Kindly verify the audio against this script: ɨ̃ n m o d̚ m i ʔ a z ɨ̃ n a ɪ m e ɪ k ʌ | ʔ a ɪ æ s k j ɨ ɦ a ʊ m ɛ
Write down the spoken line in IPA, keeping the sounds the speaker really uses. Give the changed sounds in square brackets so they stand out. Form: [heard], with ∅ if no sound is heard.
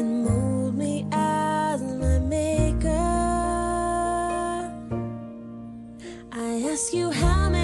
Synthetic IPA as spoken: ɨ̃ n m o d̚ m i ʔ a z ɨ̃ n a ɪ m e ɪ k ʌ | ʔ a ɪ æ s k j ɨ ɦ a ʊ m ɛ